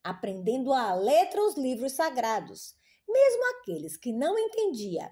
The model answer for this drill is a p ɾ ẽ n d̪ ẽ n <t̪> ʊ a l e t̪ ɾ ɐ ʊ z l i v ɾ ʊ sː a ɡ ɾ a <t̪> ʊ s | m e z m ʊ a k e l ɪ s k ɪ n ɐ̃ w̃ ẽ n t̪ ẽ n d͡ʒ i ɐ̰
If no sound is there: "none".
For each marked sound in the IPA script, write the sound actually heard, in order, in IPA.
d̪, d̪

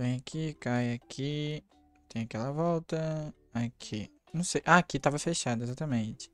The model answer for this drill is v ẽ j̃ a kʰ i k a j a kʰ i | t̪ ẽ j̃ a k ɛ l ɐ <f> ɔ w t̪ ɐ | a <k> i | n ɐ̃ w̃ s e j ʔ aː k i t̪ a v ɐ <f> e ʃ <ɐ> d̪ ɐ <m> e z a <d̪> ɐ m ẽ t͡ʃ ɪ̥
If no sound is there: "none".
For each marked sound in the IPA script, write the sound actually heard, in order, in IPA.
v, kʰ, f, a, none, t̪

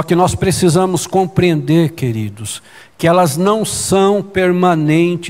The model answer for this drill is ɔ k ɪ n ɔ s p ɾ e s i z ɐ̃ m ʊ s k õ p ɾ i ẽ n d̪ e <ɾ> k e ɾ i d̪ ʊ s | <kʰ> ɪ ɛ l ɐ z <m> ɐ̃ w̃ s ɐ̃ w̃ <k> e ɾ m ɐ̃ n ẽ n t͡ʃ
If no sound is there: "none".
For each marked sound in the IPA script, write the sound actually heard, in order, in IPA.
ɾ, k, n, p

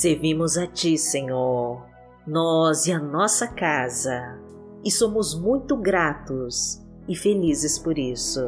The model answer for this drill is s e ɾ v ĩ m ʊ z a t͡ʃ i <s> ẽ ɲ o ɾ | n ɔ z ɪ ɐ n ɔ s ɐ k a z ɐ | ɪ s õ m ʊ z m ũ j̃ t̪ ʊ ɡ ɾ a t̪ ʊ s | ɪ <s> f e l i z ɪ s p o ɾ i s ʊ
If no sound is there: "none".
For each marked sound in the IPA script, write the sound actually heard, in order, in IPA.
s, none

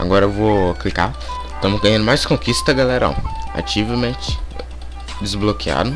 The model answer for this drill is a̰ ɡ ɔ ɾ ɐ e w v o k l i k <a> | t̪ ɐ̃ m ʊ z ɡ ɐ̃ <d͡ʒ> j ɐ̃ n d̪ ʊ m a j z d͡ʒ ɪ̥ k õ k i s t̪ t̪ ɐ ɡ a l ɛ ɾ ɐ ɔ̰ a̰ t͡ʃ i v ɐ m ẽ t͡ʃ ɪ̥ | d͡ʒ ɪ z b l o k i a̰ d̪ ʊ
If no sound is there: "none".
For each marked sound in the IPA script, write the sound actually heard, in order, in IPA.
a, none

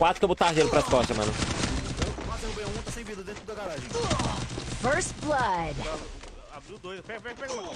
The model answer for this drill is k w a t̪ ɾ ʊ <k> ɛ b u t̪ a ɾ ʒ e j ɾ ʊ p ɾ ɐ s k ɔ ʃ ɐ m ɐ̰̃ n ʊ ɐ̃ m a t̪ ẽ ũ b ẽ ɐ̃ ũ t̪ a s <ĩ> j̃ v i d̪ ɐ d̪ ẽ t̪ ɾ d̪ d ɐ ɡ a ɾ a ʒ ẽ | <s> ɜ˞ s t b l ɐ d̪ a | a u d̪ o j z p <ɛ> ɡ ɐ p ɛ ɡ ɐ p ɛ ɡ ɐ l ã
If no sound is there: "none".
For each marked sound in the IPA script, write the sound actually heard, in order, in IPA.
k, ẽ, f, ɛ

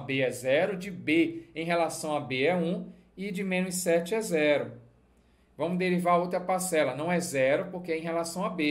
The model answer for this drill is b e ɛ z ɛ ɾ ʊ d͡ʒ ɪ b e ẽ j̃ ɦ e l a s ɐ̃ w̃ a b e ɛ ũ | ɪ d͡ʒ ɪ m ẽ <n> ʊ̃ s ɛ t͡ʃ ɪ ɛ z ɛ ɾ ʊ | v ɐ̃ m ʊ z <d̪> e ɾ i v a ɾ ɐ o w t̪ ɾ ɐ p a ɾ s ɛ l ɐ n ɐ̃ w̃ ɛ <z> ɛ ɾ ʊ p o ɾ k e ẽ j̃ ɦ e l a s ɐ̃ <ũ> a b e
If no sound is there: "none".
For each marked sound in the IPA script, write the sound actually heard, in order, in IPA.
n, d̪, z, w̃

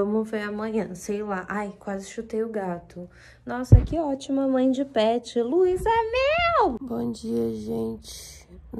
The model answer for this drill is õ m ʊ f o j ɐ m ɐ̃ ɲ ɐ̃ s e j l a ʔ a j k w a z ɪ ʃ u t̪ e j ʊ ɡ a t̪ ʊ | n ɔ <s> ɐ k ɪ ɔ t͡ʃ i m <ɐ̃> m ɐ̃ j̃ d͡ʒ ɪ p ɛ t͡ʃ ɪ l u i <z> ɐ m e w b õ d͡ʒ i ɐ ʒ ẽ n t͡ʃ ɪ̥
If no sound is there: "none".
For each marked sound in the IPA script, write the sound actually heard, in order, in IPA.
s, ɐ, z

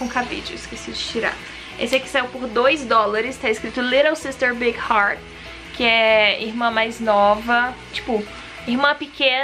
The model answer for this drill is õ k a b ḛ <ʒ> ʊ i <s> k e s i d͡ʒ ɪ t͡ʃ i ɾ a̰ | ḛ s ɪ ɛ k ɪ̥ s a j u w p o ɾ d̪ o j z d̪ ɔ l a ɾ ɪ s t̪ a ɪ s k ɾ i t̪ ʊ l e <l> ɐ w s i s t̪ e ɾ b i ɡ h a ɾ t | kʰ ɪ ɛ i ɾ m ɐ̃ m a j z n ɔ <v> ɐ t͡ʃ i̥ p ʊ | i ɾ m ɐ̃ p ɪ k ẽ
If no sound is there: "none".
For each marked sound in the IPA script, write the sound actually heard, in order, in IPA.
d͡ʒ, s, ɾ, v

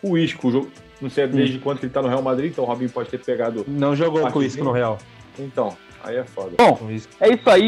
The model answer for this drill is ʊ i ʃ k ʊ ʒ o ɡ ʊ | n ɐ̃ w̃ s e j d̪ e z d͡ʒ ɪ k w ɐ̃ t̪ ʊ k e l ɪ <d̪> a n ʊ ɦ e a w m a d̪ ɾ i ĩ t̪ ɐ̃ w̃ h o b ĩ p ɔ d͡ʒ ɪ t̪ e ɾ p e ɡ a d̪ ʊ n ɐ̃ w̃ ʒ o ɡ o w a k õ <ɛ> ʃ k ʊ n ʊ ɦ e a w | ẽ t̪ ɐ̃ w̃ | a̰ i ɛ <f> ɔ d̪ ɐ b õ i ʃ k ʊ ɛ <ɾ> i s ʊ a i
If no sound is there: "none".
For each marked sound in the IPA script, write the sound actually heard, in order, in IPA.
t̪, i, f, none

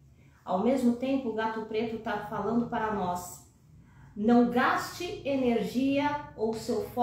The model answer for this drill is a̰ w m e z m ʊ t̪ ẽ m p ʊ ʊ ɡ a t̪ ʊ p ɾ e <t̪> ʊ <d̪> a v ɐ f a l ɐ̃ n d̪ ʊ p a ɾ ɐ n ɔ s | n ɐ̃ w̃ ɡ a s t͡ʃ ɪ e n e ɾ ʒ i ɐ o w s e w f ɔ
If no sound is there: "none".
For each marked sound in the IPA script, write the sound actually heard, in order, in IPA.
t̪, t̪

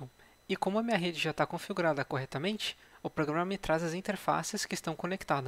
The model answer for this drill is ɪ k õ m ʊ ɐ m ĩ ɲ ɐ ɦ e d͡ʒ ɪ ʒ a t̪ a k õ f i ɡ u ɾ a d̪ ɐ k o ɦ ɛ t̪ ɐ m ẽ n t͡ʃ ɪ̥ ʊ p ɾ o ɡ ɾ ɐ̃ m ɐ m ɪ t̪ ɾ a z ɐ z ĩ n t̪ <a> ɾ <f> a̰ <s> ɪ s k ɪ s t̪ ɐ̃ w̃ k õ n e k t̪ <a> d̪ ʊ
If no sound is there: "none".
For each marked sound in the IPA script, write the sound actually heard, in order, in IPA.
e, f, s, a

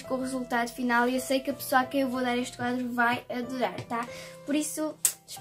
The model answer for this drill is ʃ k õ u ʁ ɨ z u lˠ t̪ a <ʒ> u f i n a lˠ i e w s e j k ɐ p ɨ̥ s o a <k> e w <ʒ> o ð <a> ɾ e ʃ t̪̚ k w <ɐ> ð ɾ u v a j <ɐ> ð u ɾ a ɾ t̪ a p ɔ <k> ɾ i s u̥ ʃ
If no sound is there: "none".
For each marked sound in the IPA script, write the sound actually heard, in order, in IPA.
ð, k, v, a, a, ɐ, none

